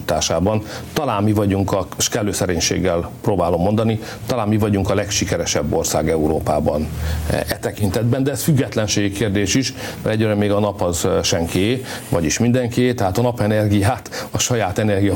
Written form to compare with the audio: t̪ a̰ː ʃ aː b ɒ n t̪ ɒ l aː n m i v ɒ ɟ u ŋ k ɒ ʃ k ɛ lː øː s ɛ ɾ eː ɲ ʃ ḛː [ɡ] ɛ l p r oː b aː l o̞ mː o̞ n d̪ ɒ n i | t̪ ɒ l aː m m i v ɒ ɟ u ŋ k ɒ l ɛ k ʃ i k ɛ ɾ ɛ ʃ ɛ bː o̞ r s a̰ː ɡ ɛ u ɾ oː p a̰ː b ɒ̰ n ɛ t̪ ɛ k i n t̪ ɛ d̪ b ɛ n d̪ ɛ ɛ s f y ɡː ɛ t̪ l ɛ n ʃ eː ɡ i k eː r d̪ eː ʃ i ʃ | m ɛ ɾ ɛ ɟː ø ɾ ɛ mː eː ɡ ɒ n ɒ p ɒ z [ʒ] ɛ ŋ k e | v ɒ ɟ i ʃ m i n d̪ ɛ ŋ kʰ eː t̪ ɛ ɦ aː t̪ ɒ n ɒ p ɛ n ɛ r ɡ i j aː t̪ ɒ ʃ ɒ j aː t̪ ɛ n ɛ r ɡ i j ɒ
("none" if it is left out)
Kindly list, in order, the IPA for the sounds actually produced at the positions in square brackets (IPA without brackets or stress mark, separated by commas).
ɡː, ʃ